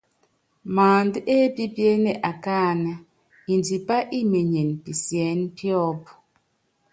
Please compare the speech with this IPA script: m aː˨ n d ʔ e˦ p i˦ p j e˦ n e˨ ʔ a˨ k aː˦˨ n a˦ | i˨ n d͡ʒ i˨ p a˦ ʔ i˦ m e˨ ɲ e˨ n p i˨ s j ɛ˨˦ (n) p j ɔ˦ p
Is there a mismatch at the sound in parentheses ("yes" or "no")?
no